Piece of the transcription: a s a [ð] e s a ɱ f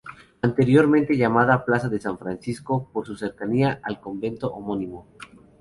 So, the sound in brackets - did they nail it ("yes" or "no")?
yes